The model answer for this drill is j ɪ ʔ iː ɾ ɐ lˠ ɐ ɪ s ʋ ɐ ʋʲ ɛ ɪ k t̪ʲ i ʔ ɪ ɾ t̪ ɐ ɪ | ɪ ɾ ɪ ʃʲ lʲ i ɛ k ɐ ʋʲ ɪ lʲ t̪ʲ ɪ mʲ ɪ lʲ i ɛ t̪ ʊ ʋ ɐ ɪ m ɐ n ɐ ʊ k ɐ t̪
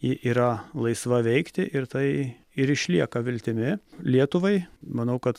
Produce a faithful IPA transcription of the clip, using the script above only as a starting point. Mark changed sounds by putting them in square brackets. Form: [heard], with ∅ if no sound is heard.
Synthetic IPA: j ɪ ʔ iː ɾ ɐ lˠ ɐ ɪ s ʋ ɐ ʋʲ ɛ ɪ k t̪ʲ [ɪ] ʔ ɪ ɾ t̪ ɐ ɪ | ɪ ɾ ɪ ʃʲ lʲ i ɛ k ɐ ʋʲ ɪ lʲ t̪ʲ ɪ mʲ ɪ lʲ i ɛ t̪ ʊ ʋ ɐ ɪ m ɐ n ɐ ʊ k ɐ t̪